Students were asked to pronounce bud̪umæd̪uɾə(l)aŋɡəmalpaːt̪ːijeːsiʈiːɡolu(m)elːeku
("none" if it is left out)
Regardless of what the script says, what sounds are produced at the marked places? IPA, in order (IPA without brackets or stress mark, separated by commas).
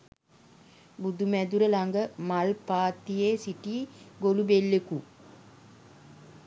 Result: l, b